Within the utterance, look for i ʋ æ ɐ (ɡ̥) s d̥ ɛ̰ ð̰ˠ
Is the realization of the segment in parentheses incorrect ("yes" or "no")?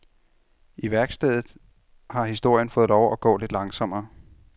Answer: no